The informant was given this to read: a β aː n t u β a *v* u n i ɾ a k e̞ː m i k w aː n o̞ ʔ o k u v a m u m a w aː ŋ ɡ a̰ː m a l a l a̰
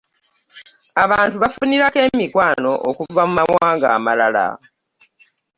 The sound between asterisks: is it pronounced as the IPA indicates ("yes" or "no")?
no